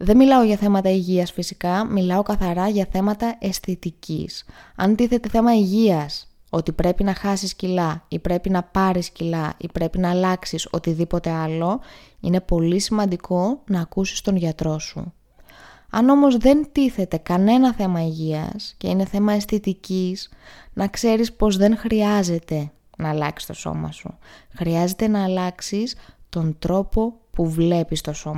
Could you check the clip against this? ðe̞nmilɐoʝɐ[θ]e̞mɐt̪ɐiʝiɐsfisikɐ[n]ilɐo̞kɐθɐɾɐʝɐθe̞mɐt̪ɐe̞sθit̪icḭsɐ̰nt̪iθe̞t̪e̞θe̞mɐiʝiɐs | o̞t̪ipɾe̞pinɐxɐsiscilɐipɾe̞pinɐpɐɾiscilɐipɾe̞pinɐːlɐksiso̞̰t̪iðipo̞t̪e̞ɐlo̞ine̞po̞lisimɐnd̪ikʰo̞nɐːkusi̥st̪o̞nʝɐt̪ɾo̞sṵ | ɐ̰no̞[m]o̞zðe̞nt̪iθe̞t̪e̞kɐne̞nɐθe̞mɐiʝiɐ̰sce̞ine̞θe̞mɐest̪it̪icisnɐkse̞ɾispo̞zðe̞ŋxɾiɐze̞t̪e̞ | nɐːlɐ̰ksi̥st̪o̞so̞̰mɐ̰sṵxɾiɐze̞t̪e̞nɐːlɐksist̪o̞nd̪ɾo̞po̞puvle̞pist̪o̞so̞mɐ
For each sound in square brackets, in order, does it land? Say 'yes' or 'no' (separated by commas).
yes, no, yes